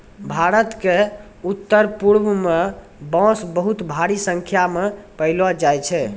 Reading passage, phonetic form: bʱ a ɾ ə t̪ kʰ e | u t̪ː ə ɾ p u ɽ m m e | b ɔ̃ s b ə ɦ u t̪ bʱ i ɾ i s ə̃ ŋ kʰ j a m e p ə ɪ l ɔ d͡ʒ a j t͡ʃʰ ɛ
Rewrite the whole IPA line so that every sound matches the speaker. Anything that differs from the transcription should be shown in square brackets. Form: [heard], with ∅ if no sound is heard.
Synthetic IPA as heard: bʱ a ɾ ə t̪ [k] e | u t̪ː ə ɾ p u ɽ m m e | b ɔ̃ s b ə ɦ u t̪ bʱ [a] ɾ i s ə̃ ŋ kʰ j a m e p ə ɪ l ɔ d͡ʒ a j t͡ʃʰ ɛ